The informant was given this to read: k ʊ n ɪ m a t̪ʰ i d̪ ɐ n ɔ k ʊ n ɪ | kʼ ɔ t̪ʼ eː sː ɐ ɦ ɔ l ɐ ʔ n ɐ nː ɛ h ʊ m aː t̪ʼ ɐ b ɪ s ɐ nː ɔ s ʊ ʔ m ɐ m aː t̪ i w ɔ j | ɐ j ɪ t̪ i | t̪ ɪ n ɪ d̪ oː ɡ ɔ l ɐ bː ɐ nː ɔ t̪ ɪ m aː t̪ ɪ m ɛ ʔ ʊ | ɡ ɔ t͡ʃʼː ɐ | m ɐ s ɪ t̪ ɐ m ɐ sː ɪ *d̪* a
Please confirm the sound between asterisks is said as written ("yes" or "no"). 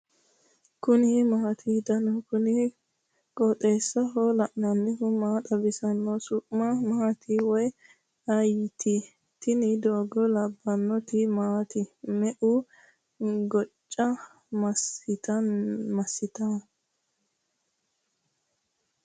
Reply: no